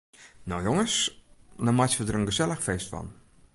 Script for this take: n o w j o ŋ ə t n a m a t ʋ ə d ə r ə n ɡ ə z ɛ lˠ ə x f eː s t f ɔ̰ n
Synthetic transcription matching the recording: n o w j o ŋ ə s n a m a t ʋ ə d ə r ə n ɡ ə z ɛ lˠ ə x f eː s t f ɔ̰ n